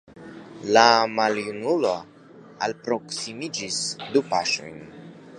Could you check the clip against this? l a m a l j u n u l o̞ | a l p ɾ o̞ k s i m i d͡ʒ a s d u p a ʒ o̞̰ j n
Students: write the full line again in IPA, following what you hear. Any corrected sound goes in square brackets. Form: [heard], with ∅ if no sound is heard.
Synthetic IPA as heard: l a m a l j u n u l o̞ | a l p ɾ o̞ k s i m i d͡ʒ [i] s d u p a [ʃ] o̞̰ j n